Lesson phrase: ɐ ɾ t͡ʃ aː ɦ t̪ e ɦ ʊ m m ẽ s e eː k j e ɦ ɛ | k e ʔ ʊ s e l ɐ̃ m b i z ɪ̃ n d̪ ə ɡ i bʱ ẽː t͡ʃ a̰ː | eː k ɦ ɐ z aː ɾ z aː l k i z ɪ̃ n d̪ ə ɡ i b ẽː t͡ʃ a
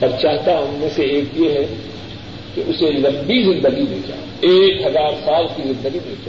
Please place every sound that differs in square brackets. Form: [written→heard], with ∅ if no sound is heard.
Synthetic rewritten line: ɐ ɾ t͡ʃ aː ɦ t̪ [e→a] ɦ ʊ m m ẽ s e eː k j e ɦ ɛ | k e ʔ ʊ s e l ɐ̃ m b i z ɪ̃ n d̪ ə ɡ i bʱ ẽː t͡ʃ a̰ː | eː k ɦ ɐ z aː ɾ [z→s] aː l k i z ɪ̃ n d̪ ə ɡ i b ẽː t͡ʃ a